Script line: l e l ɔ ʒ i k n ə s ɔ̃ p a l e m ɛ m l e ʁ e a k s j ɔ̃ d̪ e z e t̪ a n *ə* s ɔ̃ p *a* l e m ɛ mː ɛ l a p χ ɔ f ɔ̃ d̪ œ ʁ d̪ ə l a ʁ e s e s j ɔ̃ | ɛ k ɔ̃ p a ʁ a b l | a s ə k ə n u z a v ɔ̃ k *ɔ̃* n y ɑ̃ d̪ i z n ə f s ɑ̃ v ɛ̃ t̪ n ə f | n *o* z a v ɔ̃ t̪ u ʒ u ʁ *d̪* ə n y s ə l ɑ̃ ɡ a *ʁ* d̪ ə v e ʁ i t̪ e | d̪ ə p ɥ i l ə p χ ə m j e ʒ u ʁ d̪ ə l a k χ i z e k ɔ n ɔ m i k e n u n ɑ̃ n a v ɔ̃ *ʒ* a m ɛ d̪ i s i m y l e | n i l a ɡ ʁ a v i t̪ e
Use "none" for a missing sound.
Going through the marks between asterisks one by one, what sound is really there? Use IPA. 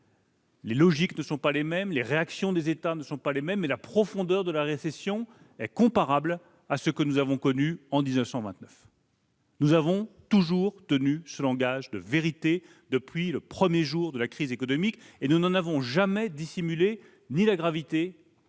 ə, a, ɔ, u, t̪, ʒ, ʒ

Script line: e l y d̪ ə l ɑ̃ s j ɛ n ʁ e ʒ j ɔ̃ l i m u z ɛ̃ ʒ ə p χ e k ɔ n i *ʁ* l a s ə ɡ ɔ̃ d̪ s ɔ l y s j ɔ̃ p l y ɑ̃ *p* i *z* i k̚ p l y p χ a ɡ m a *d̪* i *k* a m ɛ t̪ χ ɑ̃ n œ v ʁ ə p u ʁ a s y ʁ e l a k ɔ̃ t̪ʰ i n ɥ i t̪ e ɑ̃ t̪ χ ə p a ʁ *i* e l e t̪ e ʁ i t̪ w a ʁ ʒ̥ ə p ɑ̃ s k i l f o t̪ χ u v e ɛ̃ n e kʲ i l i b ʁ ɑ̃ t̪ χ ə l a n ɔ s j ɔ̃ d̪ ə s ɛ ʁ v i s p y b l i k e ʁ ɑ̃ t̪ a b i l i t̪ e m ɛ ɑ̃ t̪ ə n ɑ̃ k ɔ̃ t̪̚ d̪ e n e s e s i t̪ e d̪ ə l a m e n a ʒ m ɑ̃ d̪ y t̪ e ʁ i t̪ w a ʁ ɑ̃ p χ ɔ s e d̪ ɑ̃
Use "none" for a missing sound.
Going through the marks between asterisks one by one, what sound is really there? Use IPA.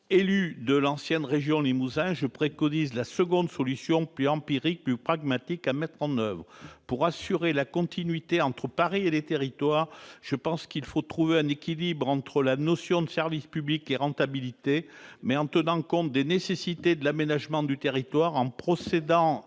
z, p, ʁ, t̪, k, i

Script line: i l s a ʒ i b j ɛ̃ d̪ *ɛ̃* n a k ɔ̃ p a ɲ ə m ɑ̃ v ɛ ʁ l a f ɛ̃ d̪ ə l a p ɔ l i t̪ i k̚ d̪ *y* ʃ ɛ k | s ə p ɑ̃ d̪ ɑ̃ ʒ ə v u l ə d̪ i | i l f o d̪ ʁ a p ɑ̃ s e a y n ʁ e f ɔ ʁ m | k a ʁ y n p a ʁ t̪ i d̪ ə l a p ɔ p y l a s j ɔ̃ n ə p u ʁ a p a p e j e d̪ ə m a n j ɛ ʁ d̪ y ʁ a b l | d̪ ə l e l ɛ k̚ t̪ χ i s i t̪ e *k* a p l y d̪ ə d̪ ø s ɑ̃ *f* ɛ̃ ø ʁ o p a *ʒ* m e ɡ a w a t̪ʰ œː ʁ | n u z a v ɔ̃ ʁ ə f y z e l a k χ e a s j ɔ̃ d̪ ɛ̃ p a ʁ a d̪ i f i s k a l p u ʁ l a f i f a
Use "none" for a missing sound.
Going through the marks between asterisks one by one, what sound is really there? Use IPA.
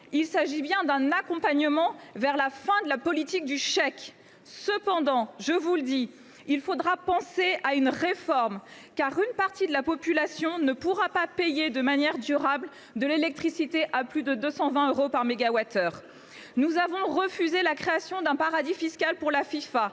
ɛ̃, y, ʔ, v, ʁ

